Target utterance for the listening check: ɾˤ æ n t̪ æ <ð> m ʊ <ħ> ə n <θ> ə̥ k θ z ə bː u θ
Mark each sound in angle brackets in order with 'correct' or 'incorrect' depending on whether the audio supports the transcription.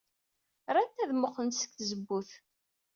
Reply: correct, incorrect: χ, incorrect: s

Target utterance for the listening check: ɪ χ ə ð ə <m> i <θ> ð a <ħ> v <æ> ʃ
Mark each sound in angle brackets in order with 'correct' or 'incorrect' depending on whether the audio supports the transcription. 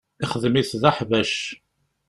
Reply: correct, correct, correct, correct

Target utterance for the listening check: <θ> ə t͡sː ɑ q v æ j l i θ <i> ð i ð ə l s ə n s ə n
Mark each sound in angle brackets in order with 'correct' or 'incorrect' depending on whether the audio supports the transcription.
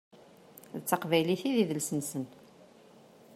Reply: incorrect: ð, correct

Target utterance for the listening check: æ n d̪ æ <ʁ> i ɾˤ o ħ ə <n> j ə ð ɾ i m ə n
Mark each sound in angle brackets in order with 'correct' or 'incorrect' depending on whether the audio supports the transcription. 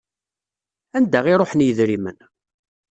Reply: correct, correct

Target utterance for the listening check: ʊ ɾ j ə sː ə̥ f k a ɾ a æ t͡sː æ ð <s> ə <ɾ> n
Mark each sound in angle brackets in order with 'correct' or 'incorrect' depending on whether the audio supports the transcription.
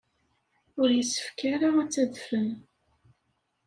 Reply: incorrect: f, incorrect: none

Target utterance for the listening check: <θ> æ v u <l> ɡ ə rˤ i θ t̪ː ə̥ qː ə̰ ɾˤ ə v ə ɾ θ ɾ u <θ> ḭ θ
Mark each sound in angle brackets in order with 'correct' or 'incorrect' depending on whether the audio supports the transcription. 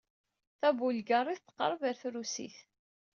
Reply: correct, correct, incorrect: s

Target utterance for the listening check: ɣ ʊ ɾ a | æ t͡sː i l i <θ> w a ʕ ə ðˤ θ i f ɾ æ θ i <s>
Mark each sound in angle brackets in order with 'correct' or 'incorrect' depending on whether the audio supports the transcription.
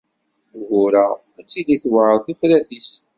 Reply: correct, correct

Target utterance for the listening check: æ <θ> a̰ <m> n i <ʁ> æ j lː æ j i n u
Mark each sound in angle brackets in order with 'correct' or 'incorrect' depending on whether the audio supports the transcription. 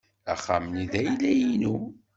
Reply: incorrect: χ, correct, incorrect: ð

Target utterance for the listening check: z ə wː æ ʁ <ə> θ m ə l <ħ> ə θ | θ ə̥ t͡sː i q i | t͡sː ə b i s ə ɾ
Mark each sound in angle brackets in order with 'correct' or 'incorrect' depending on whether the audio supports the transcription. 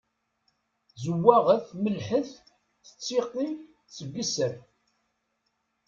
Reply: correct, correct

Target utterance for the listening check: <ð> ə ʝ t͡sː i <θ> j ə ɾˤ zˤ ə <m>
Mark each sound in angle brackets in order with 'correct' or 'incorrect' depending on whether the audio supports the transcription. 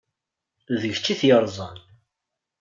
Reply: correct, correct, incorrect: n

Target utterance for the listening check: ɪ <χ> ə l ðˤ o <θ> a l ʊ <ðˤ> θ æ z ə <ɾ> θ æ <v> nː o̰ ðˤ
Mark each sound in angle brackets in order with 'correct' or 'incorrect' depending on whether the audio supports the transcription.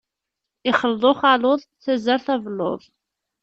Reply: correct, incorrect: χ, correct, correct, correct

